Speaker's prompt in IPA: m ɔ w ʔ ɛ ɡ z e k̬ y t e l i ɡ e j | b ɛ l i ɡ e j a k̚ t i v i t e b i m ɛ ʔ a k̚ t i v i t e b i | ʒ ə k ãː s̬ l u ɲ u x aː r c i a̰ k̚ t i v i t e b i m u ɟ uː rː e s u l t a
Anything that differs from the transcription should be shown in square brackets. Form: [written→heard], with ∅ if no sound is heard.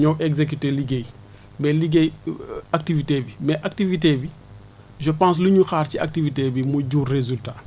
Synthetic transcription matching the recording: [m→ɲ] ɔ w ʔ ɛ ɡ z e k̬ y t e l i ɡ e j | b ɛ l i ɡ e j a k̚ t i v i t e b i m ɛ ʔ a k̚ t i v i t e b i | ʒ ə [k→p] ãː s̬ l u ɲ u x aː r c i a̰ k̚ t i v i t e b i m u ɟ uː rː e [s→z] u l t a